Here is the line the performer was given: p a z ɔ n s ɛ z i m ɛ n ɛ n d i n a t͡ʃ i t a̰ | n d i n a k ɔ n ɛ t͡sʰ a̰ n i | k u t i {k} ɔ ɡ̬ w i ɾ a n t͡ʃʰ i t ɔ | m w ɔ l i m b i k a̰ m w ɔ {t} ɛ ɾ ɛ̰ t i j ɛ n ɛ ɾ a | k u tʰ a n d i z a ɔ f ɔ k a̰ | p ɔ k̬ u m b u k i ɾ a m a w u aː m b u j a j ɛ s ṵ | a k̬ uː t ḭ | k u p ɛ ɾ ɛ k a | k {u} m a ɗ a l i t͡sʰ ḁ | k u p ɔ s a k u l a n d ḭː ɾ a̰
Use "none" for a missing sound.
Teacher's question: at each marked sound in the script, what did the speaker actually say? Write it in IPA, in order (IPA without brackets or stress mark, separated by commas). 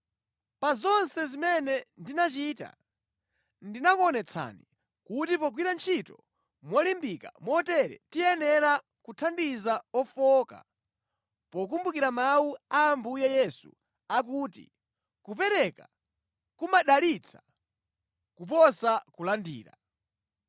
p, t, u